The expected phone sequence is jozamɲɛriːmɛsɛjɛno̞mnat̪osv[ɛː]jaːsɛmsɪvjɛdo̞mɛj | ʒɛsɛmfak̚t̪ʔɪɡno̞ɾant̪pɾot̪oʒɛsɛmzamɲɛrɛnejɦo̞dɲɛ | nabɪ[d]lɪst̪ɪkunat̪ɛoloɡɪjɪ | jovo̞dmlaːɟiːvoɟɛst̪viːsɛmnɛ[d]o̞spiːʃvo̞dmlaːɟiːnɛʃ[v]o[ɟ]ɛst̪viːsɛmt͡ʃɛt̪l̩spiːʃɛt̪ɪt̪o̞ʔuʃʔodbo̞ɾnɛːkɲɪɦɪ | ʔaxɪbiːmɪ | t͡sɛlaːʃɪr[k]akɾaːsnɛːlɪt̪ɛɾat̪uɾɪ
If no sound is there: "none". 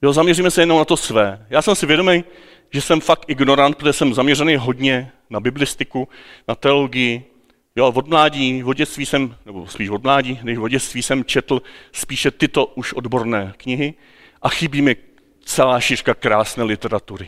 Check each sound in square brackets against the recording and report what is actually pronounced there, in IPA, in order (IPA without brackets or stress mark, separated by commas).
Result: ɛː, b, b, v, ɟ, k